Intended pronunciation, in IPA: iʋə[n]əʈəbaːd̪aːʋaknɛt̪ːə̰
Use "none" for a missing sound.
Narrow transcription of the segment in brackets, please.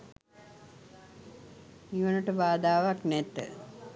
n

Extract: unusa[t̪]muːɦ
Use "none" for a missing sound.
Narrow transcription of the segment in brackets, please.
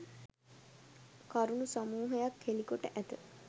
none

